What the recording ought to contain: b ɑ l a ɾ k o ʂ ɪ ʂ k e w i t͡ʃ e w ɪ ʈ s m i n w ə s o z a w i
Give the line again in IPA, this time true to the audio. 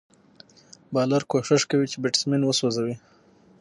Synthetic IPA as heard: b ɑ l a ɾ k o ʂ ɪ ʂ k a w i t͡ʃ e b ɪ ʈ s m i n w ə s o z a w i